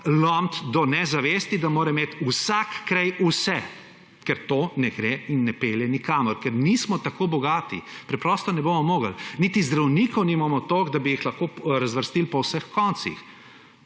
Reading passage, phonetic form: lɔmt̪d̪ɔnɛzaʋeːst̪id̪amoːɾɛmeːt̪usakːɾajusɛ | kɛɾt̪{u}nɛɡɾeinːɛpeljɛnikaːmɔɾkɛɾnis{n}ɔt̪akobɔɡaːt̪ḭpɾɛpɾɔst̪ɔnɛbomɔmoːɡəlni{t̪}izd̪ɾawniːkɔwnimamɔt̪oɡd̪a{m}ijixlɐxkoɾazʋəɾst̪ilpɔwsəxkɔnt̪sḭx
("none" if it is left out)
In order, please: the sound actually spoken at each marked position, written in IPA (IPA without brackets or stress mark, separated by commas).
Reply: o, m, t̪, b